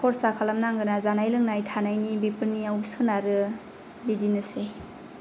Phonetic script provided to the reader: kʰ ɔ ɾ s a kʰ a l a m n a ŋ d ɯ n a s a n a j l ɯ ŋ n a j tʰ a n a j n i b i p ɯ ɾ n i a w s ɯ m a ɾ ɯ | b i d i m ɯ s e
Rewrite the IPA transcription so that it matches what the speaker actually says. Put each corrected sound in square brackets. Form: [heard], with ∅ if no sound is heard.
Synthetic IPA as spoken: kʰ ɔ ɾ s a kʰ a l a m n a ŋ [ɡ] ɯ n a [z] a n a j l ɯ ŋ n a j tʰ a n a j n i b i p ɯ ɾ n i a w s ɯ [n] a ɾ ɯ | b i d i [n] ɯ s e